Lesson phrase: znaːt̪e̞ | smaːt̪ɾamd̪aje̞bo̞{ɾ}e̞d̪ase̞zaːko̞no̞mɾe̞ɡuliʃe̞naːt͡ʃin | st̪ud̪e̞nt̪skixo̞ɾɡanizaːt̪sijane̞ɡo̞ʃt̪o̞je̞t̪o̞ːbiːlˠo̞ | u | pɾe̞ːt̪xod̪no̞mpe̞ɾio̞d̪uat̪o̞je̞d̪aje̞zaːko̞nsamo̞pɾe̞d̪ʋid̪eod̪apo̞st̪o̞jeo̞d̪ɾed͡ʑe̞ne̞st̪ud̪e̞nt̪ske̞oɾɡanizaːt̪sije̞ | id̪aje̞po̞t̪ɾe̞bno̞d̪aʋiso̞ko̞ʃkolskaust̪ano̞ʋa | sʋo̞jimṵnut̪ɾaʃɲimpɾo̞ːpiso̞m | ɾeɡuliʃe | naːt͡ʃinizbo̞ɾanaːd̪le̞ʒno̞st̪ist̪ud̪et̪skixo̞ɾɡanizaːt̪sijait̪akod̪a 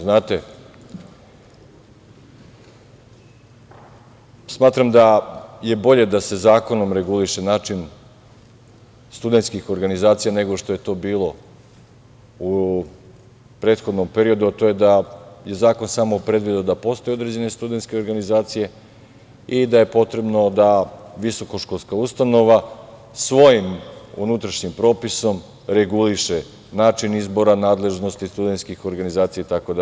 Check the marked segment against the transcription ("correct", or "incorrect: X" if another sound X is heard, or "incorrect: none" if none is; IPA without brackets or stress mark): incorrect: ʎ